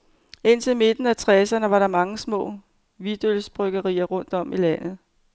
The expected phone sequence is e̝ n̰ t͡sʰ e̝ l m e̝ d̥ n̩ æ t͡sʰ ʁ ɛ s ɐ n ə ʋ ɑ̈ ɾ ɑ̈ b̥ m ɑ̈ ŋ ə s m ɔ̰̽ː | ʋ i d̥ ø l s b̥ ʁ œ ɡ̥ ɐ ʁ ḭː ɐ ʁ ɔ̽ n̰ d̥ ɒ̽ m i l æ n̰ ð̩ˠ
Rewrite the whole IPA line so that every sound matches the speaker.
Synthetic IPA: e̝ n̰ t͡sʰ e̝ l m e̝ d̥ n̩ æ t͡sʰ ʁ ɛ s ɐ n ə ʋ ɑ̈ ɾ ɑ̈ m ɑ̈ ŋ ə s m ɔ̰̽ː | ʋ i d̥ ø l s b̥ ʁ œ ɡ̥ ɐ ʁ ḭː ɐ ʁ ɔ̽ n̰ d̥ ɒ̽ m i l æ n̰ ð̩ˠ